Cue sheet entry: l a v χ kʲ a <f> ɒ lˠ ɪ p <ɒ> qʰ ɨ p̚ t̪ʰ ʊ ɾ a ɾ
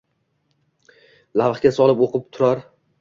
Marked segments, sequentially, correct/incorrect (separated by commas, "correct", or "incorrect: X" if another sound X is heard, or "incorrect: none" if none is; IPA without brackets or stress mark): incorrect: s, incorrect: o